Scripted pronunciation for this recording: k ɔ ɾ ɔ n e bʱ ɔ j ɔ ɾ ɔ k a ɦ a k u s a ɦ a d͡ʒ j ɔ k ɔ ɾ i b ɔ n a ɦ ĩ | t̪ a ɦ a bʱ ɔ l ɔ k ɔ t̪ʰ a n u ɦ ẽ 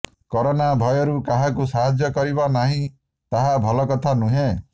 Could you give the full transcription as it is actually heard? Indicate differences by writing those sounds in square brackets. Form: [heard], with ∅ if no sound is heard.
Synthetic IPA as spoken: k ɔ ɾ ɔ n [a] bʱ ɔ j ɔ ɾ [u] k a ɦ a k u s a ɦ a d͡ʒ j ɔ k ɔ ɾ i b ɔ n a ɦ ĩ | t̪ a ɦ a bʱ ɔ l ɔ k ɔ t̪ʰ a n u ɦ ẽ